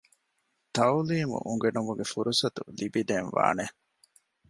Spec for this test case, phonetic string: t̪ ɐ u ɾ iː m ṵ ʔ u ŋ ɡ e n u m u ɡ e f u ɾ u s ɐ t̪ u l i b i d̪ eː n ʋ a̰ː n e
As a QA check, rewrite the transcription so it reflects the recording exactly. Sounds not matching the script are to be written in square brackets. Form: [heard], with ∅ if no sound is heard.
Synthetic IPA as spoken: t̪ ɐ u [l] iː m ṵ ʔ u ŋ ɡ e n u m u ɡ e f u ɾ u s ɐ t̪ u l i b i d̪ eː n ʋ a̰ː n e